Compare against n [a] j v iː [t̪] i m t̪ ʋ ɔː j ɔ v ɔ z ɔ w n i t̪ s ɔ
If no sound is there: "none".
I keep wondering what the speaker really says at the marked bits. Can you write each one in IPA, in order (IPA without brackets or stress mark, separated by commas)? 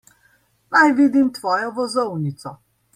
a, d̪